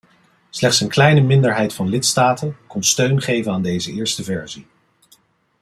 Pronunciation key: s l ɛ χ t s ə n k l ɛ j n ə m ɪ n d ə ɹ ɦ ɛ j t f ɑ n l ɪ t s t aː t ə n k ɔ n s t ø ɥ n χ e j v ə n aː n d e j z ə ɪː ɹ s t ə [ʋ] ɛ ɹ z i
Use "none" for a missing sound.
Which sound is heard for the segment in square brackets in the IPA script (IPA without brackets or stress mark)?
v